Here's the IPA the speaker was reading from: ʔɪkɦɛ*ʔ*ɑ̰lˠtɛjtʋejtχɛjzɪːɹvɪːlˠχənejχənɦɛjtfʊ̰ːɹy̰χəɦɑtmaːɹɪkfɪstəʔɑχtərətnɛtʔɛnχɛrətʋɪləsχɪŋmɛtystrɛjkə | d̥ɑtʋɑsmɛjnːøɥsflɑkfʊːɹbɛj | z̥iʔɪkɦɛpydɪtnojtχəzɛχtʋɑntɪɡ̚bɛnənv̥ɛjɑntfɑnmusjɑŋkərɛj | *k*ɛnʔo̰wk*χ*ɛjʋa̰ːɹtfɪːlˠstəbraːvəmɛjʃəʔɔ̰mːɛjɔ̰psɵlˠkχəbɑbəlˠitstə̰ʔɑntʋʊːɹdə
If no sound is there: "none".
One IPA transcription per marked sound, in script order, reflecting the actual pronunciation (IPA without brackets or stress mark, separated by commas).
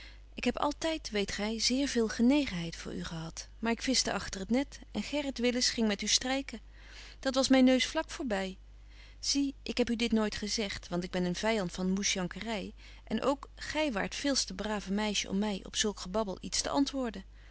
p, ʔ, χ